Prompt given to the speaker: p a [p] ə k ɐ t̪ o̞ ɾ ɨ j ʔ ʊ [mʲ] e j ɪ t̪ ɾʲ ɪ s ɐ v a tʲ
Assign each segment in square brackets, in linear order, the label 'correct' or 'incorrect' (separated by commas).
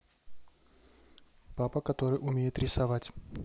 correct, correct